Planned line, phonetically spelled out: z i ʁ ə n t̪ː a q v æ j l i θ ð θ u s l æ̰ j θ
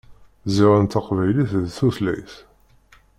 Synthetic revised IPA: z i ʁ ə n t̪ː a q v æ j l i θ ð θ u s l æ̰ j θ